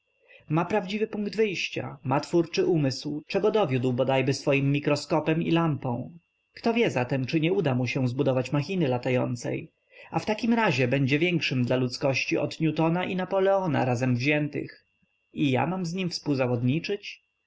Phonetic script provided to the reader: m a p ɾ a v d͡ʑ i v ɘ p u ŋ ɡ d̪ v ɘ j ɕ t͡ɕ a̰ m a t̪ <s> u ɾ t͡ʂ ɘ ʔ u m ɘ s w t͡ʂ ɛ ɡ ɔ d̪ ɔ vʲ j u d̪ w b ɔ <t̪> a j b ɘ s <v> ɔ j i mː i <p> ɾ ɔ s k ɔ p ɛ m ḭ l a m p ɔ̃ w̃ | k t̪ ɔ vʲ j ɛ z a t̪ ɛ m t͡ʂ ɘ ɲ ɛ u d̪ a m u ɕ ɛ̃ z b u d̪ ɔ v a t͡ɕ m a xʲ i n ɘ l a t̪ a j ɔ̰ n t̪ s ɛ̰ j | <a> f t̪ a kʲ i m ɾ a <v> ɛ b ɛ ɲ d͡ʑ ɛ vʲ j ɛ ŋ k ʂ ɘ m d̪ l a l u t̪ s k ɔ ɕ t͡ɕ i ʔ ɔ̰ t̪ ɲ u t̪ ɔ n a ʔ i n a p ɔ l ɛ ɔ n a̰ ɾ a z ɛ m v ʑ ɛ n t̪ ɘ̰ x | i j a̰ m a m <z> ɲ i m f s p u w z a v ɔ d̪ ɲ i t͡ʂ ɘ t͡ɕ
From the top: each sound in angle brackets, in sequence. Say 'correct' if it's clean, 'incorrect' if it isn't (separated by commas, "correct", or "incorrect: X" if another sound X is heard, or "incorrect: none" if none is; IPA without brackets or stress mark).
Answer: incorrect: f, incorrect: d̪, incorrect: f, incorrect: k, correct, incorrect: ʑ, correct